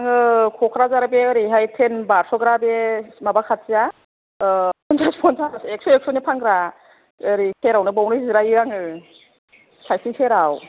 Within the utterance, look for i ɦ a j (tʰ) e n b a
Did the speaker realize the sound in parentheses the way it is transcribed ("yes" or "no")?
yes